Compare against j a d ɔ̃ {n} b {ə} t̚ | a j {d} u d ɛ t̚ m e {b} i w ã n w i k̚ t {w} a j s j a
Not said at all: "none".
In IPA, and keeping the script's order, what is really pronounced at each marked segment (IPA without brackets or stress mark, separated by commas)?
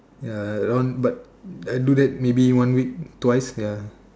n, a, d, b, w